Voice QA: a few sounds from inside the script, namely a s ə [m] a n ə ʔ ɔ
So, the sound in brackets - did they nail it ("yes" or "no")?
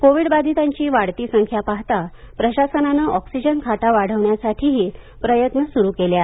no